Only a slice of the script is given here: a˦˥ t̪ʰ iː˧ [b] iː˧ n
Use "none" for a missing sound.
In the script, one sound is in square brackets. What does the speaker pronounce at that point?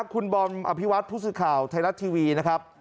w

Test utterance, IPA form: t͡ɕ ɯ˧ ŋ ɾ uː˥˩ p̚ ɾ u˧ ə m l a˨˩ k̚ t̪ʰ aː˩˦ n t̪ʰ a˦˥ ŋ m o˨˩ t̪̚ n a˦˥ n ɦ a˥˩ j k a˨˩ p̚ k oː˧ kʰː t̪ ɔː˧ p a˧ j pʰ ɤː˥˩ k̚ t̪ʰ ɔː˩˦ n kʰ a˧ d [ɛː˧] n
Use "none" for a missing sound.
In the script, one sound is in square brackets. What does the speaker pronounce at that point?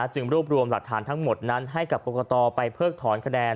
ɛː˧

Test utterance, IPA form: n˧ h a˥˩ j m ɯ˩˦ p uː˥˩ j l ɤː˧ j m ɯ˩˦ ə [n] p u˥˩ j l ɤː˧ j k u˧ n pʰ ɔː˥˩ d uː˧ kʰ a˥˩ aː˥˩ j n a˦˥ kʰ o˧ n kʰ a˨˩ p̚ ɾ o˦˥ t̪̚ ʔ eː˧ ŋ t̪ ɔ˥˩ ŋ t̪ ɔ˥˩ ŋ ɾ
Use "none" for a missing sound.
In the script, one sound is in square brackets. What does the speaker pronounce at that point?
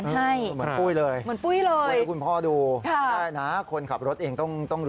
n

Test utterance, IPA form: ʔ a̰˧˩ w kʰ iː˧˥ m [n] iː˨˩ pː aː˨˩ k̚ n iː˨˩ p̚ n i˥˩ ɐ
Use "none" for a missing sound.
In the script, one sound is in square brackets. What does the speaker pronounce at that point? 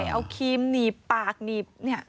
n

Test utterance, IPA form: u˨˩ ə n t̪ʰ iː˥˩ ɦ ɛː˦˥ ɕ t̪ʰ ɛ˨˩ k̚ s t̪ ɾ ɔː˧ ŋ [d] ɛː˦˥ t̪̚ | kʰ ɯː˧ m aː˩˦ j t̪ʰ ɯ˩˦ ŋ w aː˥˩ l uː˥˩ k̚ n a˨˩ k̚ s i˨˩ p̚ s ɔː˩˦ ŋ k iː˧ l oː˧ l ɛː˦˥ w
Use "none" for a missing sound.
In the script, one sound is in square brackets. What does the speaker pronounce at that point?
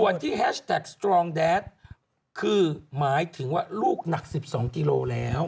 d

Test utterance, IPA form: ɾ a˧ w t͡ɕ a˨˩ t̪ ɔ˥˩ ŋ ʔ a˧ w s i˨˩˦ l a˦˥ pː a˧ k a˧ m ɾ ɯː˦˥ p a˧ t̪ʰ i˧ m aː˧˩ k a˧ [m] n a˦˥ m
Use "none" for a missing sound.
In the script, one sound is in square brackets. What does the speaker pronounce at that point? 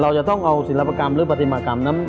m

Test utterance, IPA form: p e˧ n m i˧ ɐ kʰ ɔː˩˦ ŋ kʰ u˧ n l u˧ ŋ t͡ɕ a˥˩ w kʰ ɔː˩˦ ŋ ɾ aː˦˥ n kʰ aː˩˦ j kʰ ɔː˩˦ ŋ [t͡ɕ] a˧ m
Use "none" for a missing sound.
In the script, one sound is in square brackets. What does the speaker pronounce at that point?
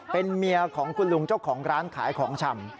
t͡ɕʰ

